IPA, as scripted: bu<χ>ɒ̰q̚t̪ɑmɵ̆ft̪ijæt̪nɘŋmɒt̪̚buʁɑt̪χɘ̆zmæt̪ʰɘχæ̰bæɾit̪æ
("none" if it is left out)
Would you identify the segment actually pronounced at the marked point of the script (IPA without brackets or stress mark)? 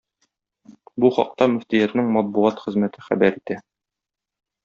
χ